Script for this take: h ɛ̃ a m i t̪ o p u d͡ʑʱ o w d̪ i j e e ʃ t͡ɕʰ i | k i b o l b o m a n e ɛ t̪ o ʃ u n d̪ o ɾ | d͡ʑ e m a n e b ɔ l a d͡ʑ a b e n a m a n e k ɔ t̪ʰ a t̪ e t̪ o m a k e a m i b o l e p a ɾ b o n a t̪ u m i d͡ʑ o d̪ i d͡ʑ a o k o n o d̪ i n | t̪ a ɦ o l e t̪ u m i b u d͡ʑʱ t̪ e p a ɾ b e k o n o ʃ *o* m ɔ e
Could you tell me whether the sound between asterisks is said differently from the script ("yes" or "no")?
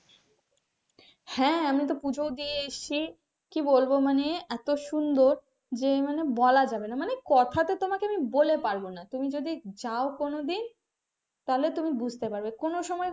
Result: yes